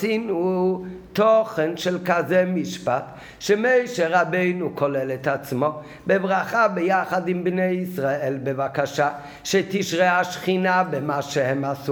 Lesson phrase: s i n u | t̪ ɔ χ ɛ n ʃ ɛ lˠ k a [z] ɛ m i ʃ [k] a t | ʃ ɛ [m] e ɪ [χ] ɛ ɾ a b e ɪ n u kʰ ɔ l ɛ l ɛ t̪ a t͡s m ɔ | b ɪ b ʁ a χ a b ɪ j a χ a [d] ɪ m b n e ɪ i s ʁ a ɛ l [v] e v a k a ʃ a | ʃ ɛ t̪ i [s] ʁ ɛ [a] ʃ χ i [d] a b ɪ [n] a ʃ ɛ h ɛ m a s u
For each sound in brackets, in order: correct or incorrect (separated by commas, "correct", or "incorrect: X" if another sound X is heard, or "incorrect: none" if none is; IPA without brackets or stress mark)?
correct, incorrect: p, correct, incorrect: ʃ, correct, incorrect: b, incorrect: ʃ, correct, incorrect: n, incorrect: m